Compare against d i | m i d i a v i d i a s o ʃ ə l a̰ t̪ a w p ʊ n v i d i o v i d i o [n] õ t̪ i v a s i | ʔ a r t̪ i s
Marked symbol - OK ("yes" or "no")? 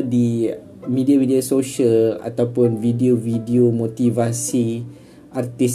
no